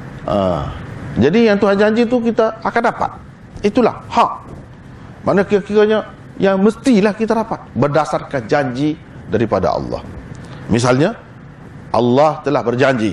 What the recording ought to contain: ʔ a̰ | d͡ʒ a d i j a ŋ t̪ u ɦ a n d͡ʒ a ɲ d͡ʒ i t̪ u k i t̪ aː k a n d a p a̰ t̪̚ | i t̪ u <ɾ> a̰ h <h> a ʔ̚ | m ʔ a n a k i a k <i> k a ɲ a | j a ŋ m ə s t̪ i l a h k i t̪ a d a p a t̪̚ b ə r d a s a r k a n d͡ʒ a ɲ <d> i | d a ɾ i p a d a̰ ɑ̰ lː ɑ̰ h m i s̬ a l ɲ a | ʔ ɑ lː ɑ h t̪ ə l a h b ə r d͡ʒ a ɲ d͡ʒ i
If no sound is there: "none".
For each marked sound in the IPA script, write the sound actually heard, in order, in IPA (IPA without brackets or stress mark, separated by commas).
l, h, i, d͡ʒ